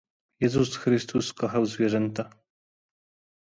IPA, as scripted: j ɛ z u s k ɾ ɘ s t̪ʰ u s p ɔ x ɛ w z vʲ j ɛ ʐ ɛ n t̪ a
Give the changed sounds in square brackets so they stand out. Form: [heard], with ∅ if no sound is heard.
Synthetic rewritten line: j ɛ z u s [x] ɾ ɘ s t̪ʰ u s [k] ɔ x [a] w z vʲ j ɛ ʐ ɛ n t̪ a